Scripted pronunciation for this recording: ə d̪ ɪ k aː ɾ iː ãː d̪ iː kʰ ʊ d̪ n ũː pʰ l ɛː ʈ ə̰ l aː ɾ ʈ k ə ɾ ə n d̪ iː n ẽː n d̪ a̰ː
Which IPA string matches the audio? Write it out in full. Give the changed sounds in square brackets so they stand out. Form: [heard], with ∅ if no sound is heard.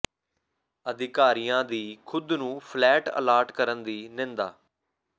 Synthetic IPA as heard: ə d̪ ɪ k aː ɾ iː ãː d̪ iː kʰ ʊ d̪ n ũː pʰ l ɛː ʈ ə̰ l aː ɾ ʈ k ə ɾ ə n d̪ iː n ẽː n d̪ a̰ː